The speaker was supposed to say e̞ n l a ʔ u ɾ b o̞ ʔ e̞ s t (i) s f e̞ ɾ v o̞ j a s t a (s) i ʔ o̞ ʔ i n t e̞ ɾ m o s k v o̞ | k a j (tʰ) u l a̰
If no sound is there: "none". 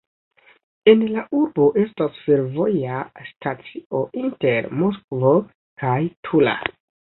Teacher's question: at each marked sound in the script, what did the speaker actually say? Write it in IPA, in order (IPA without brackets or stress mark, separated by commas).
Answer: a, t͡s, tʰ